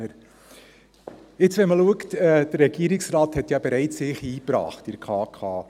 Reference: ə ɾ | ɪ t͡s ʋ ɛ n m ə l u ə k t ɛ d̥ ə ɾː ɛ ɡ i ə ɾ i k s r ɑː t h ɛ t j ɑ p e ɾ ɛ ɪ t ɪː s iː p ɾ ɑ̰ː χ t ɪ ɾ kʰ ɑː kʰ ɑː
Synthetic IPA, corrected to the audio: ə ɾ | ɪ t͡s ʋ ɛ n m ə l u ə k t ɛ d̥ ə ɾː ɛ ɡ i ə ɾ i k s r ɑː t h ɛ t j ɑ b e ɾ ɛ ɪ t͡s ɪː χ iː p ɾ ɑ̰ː χ t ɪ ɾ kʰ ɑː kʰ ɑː